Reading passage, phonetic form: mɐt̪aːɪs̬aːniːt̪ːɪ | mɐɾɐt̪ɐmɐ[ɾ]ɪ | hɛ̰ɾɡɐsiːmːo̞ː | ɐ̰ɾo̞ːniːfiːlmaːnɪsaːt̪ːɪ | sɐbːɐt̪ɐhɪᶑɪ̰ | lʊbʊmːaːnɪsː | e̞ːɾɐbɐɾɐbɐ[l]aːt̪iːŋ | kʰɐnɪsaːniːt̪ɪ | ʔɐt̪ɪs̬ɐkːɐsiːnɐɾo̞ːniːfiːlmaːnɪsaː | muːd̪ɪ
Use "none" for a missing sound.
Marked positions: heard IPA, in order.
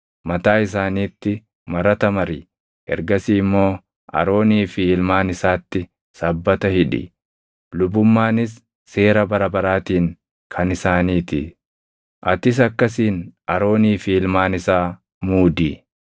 ɾ, ɾ

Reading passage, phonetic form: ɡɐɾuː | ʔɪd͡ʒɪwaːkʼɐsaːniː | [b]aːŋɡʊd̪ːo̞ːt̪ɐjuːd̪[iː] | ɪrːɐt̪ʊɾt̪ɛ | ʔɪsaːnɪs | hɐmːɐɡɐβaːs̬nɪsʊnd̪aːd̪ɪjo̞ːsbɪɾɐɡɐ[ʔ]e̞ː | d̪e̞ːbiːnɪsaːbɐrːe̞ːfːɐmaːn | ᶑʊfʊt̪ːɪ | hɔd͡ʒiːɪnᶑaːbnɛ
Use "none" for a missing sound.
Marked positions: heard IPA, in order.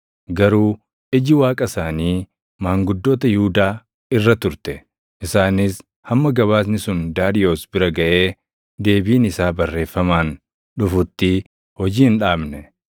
m, aː, ʔ

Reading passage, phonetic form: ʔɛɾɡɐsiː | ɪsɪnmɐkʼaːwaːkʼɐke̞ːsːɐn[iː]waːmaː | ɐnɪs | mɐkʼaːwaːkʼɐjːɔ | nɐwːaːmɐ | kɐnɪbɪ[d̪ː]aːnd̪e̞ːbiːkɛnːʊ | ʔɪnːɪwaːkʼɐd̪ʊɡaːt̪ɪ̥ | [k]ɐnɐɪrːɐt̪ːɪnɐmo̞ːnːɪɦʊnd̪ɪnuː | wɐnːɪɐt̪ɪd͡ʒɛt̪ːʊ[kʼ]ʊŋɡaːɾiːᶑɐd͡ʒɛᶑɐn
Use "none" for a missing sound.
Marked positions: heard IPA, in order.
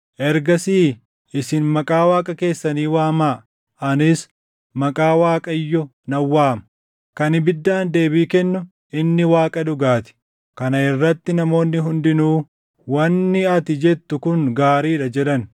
iː, d̪ː, k, k

